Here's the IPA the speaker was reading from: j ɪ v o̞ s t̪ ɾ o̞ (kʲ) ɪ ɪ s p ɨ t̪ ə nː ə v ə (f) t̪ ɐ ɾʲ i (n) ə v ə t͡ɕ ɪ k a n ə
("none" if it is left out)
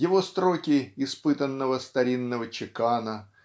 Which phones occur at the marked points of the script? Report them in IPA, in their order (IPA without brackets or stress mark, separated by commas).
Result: kʲ, s, nː